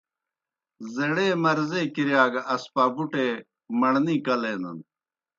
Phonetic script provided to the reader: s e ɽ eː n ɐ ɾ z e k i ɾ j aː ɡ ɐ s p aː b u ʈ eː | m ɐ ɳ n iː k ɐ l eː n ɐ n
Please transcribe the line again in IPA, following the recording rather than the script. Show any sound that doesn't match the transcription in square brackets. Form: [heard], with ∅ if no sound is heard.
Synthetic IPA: [z] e ɽ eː [m] ɐ ɾ z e k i ɾ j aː ɡ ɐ s p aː b u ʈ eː | m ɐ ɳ n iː k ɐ l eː n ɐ n